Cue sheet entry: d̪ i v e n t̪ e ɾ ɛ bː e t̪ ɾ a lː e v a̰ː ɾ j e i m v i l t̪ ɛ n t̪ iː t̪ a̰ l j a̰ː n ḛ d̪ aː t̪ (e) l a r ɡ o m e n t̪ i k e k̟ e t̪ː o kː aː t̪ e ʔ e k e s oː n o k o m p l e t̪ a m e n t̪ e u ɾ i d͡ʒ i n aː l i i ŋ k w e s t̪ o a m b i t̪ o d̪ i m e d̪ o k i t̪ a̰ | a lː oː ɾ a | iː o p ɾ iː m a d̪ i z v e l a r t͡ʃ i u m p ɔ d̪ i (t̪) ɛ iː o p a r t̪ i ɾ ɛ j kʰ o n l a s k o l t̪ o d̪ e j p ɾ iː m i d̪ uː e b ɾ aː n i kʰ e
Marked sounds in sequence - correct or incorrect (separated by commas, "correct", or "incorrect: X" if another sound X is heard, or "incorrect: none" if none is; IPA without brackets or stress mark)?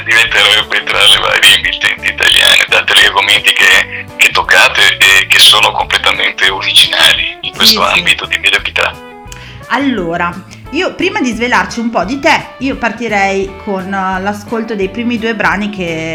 correct, correct